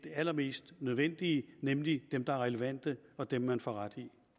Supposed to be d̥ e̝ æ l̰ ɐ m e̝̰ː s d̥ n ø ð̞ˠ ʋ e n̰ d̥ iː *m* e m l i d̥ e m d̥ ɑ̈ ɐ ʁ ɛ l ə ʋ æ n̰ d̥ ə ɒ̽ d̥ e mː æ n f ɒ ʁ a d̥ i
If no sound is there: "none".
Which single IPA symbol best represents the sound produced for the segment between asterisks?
n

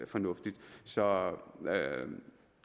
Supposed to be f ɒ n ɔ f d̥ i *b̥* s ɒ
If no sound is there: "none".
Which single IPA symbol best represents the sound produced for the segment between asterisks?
d̥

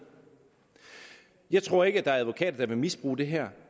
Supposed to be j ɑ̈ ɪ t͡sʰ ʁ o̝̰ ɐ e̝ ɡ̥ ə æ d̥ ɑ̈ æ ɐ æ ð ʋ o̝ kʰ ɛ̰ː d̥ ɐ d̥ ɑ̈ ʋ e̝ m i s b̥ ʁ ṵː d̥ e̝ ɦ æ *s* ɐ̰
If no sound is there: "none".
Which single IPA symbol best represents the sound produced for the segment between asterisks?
none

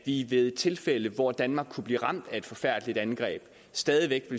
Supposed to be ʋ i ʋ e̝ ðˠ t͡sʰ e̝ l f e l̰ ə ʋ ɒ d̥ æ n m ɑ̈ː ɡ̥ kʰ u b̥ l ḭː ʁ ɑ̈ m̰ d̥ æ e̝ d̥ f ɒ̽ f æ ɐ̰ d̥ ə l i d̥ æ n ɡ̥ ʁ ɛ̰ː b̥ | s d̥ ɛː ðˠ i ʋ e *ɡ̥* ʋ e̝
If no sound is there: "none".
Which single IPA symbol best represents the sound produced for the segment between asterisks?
ɡ̥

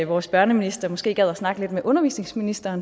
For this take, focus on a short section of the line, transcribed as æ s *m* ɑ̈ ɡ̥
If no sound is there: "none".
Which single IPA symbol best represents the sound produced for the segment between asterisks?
n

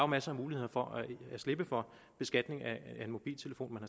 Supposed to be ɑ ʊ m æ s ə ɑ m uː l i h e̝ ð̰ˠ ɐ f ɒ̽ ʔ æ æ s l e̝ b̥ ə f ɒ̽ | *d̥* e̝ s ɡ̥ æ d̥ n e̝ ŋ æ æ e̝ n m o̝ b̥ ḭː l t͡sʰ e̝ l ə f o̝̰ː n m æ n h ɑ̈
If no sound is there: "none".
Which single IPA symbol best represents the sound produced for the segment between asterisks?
b̥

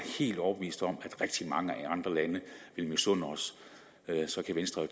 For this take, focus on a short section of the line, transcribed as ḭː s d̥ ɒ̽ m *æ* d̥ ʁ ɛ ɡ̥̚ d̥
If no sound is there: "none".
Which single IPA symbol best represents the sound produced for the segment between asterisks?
æ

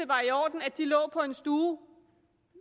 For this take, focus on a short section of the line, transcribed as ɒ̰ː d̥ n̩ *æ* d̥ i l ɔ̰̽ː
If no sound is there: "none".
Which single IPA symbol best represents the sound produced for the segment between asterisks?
æ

